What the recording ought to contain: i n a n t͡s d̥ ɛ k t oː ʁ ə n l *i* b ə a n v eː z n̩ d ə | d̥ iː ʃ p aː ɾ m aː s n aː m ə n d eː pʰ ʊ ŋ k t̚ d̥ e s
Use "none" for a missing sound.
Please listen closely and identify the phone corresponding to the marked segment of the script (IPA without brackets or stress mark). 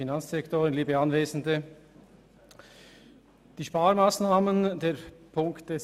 iː